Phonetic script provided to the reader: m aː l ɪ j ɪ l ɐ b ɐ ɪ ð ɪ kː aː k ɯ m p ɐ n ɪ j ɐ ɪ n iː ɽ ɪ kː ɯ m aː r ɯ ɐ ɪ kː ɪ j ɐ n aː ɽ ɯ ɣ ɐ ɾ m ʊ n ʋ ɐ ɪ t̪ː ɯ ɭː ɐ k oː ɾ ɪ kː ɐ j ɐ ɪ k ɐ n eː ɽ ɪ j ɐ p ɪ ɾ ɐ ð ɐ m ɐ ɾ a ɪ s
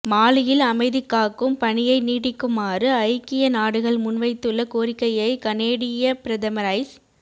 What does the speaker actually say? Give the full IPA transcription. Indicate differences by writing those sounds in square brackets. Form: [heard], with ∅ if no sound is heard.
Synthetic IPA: m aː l ɪ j ɪ l ɐ [m] ɐ ɪ ð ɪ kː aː k ɯ m p ɐ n ɪ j ɐ ɪ n iː ɽ ɪ kː ɯ m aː r ɯ ɐ ɪ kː ɪ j ɐ n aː ɽ ɯ ɣ ɐ [ɭ] m ʊ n ʋ ɐ ɪ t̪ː ɯ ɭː ɐ k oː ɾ ɪ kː ɐ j ɐ ɪ k ɐ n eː ɽ ɪ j ɐ p ɪ ɾ ɐ ð ɐ m ɐ ɾ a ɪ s

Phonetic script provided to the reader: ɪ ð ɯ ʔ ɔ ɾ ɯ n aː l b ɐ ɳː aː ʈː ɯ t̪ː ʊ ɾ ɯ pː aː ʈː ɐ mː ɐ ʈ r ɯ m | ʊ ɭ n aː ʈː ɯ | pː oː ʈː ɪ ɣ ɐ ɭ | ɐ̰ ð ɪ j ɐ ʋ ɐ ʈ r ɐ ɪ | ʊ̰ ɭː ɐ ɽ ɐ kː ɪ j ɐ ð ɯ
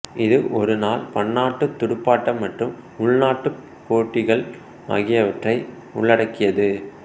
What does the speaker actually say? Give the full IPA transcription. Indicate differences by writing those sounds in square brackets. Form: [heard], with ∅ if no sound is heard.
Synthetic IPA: ɪ ð ɯ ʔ ɔ ɾ ɯ n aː l [p] ɐ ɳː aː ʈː ɯ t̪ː ʊ [ɽ] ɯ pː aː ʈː ɐ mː ɐ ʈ r ɯ m | ʊ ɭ n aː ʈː ɯ | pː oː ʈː ɪ ɣ ɐ ɭ | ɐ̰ [ɣ] ɪ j ɐ ʋ ɐ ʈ r ɐ ɪ | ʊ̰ ɭː ɐ ɽ ɐ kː ɪ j ɐ ð ɯ

